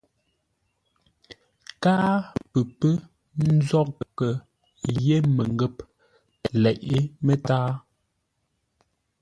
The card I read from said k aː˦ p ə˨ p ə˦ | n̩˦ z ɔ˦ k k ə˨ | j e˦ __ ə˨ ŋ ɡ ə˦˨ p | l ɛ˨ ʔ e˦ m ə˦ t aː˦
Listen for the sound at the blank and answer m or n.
m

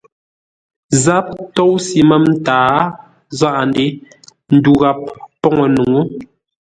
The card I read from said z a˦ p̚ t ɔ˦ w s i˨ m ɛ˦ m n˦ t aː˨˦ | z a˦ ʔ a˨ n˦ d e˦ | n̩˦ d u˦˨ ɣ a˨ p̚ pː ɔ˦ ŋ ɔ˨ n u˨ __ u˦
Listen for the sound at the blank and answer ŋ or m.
ŋ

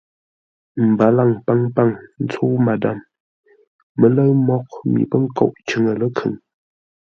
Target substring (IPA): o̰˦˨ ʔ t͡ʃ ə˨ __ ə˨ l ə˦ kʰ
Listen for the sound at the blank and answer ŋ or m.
ŋ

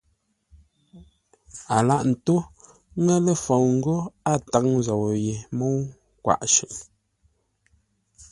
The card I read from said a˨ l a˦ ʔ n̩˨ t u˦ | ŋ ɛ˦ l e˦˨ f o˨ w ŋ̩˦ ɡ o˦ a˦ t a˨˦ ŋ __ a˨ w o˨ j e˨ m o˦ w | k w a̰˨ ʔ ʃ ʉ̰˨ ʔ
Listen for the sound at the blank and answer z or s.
z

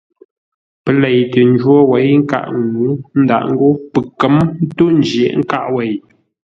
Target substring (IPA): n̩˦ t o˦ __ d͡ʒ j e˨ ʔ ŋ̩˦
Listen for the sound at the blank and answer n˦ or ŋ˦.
n˦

